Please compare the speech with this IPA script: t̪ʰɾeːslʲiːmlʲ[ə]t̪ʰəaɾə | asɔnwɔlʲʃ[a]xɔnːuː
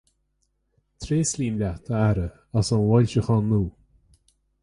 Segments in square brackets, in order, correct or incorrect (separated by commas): incorrect, incorrect